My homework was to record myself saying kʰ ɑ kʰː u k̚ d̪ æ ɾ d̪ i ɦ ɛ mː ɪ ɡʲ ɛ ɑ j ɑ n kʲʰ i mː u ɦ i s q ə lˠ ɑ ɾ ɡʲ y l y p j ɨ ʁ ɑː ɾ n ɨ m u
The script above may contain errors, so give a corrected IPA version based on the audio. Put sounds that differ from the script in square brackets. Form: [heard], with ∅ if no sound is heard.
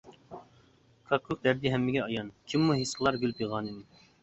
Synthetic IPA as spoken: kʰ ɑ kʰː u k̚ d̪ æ ɾ d̪ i ɦ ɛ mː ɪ ɡʲ ɛ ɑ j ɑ n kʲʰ i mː u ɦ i s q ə lˠ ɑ ɾ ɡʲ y l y p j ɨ ʁ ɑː [∅] n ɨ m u

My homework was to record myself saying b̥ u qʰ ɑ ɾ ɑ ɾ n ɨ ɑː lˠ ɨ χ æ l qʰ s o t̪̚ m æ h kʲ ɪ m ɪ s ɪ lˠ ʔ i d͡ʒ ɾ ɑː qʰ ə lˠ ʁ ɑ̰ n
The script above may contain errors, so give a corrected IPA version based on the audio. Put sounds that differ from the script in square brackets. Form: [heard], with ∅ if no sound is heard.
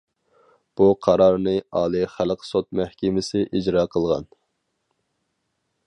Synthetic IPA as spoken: b̥ u qʰ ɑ ɾ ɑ ɾ n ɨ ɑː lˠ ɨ χ æ l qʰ s o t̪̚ m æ h kʲ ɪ m ɪ s ɪ [∅] ʔ i d͡ʒ ɾ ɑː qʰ ə lˠ ʁ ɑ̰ n

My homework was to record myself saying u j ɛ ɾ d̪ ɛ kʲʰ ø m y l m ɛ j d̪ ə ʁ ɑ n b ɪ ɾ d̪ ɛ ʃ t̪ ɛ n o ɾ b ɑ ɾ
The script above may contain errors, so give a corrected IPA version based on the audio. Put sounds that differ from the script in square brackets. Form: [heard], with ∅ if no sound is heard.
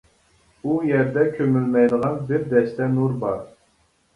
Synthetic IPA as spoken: u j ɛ ɾ d̪ ɛ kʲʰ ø m y l m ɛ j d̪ ə ʁ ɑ n b ɪ ɾ d̪ ɛ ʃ t̪ ɛ n [u] ɾ b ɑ ɾ

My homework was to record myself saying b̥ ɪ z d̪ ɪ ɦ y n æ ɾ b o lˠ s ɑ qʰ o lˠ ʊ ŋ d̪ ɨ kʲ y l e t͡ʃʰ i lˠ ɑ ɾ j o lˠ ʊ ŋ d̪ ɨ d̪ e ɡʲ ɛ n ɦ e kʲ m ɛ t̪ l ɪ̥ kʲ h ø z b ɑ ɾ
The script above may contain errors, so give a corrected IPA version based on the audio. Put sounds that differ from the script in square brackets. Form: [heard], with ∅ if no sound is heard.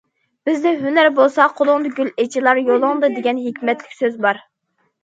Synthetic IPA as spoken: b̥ ɪ z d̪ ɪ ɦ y n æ ɾ b o lˠ s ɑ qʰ o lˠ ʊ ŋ d̪ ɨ [ɡʲ] y l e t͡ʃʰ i lˠ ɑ ɾ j o lˠ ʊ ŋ d̪ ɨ d̪ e ɡʲ ɛ n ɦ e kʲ m ɛ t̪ l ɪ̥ kʲ [s] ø z b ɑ ɾ

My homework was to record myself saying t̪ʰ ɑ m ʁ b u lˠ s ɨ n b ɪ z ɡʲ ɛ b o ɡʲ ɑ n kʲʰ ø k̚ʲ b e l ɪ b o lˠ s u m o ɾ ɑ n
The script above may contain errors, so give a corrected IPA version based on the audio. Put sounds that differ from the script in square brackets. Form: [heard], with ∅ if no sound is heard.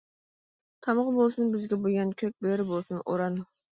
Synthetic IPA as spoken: t̪ʰ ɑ m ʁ b [o] lˠ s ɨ n b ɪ z ɡʲ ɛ b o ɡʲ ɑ n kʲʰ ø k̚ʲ b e [ɾ] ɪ b o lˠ s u [n] o ɾ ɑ n

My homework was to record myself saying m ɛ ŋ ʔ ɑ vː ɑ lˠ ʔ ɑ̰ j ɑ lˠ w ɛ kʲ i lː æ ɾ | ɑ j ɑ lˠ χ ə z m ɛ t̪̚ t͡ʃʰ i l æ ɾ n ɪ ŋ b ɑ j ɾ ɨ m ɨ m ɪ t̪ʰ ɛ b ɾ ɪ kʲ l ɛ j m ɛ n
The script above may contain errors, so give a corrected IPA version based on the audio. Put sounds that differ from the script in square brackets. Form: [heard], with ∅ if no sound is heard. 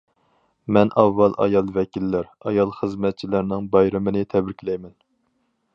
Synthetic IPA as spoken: m ɛ [n] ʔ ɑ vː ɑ lˠ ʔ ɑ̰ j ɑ lˠ [v] ɛ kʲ i lː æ ɾ | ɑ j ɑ lˠ χ ə z m ɛ t̪̚ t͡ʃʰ i l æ ɾ n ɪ ŋ b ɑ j ɾ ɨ m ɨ [n] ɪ t̪ʰ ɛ b ɾ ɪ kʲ l ɛ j m ɛ n

